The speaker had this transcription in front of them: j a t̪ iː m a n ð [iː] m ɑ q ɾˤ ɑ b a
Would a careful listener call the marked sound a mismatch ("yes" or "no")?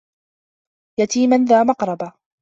yes